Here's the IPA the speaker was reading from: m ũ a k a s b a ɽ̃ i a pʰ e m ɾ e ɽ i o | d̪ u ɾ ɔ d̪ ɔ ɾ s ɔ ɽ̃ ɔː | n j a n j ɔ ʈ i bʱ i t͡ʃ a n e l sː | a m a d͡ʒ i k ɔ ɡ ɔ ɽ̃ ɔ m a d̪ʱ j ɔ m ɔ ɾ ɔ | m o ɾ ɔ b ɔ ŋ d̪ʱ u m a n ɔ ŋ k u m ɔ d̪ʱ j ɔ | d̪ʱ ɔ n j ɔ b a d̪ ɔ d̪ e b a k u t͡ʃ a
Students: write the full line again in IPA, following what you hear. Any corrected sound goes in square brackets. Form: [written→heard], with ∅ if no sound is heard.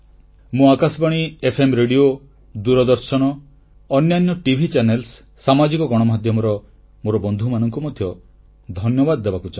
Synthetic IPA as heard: m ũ a k a s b a ɽ̃ i [a→e] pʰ e m ɾ e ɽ i o | d̪ u ɾ ɔ d̪ ɔ ɾ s ɔ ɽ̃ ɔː | n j a n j ɔ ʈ i bʱ i t͡ʃ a n e l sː | a m a d͡ʒ i k ɔ ɡ ɔ ɽ̃ ɔ m a d̪ʱ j ɔ m ɔ ɾ ɔ | m o ɾ ɔ b ɔ [ŋ→n] d̪ʱ u m a n ɔ ŋ k u m ɔ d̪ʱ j ɔ | d̪ʱ ɔ n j ɔ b a d̪ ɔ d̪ e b a k u t͡ʃ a